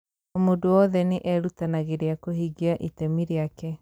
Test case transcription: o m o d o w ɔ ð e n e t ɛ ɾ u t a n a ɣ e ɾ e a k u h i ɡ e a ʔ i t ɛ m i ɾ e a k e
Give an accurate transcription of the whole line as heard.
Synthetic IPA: o m o d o w ɔ ð ɛ n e ʔ ɛ ɾ u t a n a ɣ e ɾ e a k o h i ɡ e a ʔ i t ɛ m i ɾ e a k ɛ